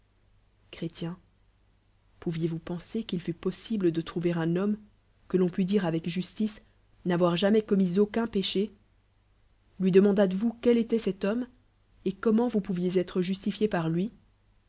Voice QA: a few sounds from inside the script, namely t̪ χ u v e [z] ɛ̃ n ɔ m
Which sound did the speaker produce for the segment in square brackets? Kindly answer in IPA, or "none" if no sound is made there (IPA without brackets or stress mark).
ʁ